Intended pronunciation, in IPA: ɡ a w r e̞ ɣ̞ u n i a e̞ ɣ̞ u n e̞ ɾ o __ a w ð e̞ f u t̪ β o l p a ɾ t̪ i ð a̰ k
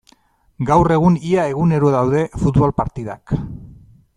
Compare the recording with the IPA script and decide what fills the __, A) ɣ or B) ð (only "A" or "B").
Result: B